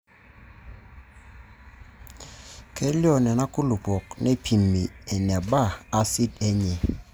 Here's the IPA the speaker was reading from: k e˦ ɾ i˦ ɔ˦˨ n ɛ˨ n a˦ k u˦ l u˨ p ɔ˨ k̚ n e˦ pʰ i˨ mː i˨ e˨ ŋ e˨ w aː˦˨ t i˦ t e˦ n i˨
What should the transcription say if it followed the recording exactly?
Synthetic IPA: k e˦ l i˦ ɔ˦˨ n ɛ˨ n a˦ k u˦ l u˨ p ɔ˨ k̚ n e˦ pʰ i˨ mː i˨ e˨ n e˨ b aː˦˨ s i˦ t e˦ ɲ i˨